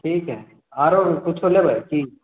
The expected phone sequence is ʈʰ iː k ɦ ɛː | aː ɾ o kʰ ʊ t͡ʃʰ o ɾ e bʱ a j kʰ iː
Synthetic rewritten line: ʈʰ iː k ɦ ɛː | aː ɾ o k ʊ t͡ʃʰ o l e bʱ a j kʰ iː